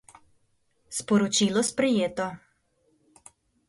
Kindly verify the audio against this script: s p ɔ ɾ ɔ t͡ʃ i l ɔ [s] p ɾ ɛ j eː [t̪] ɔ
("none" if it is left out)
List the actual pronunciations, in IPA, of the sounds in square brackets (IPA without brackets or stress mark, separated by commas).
s, t̪